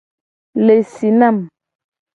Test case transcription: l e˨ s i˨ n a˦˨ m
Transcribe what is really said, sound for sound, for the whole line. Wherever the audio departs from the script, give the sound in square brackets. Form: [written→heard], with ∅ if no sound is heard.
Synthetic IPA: l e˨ s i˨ n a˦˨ m